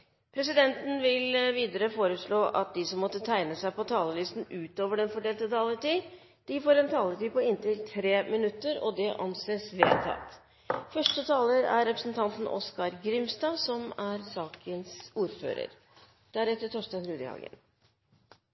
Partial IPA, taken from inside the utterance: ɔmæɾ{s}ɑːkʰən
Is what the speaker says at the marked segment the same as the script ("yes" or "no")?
yes